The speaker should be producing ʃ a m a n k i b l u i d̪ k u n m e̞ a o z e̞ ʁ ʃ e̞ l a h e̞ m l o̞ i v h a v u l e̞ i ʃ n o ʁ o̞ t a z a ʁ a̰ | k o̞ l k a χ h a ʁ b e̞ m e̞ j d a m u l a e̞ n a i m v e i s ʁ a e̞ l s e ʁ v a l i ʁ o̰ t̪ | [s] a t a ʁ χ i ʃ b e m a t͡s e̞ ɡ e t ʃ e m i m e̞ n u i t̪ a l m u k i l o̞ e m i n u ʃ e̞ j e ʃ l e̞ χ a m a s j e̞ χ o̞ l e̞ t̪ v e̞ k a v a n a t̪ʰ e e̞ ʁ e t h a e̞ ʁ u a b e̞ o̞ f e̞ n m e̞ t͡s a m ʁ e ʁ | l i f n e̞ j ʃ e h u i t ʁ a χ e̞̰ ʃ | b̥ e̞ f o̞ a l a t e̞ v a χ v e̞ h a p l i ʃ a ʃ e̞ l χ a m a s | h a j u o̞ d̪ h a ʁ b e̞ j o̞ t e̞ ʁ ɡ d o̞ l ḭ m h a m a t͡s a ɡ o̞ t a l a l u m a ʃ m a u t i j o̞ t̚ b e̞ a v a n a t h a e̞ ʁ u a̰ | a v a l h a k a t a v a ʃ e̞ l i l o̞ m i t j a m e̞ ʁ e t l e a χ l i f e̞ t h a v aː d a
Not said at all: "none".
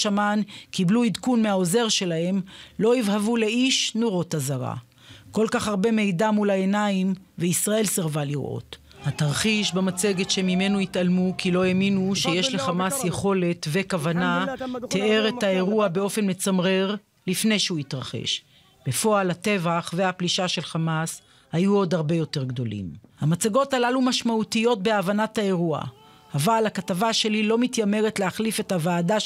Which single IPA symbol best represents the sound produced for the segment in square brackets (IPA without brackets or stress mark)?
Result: h